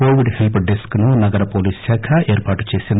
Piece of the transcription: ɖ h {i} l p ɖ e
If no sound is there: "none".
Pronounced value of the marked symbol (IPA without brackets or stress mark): e